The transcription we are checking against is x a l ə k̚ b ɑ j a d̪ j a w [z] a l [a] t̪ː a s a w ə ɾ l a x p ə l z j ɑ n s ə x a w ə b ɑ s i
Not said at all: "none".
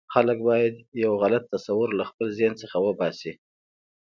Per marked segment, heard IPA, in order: ɣ, a

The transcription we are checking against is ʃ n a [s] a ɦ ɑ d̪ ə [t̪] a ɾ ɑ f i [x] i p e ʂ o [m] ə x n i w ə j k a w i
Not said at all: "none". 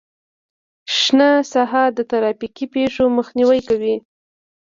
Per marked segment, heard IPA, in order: s, t̪, k, m

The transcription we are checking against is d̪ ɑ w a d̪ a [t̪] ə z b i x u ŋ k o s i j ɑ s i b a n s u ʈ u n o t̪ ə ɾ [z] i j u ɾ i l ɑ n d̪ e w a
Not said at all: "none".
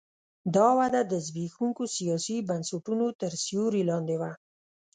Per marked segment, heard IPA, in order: d̪, s

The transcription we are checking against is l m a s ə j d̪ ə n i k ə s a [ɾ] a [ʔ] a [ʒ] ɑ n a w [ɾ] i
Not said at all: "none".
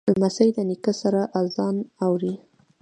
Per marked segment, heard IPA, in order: ɾ, ʔ, z, ɾ

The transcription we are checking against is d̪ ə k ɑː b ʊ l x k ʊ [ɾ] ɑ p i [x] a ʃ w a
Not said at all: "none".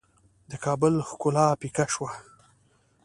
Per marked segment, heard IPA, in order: l, k

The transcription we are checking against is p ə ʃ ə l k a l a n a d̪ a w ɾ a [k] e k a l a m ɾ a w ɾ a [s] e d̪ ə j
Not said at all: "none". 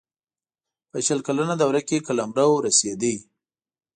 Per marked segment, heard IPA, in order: k, s

